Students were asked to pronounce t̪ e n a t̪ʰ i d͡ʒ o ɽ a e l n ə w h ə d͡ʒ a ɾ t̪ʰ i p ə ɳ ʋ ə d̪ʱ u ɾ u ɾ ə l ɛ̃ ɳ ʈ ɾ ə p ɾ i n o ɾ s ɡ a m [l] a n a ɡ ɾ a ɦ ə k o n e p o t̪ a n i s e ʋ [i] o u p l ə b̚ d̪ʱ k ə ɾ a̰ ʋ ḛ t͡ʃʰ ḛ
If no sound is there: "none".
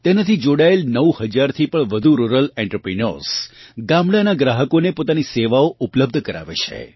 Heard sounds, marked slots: ɽ, a

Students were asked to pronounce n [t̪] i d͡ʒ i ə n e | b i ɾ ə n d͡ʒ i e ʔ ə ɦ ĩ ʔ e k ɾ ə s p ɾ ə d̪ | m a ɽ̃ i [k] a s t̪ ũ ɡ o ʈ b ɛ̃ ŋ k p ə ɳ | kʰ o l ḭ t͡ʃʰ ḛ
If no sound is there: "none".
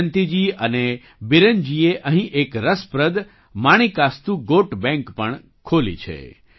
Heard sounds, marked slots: t̪, k

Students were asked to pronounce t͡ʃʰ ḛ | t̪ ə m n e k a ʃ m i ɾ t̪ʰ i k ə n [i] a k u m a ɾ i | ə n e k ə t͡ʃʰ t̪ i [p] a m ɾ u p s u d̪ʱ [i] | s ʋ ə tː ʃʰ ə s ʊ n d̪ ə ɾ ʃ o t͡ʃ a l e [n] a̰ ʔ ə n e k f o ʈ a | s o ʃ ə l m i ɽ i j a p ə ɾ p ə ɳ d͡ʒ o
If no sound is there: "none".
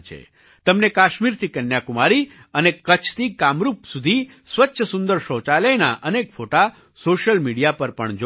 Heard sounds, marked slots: j, k, i, n

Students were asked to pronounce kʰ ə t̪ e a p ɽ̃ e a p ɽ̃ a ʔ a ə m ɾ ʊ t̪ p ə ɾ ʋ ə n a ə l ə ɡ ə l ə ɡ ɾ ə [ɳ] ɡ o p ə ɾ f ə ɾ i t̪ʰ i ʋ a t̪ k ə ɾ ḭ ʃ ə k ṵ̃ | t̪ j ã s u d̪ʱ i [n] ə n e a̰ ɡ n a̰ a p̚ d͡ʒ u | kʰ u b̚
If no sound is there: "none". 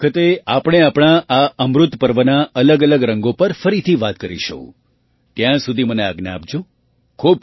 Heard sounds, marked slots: ŋ, m

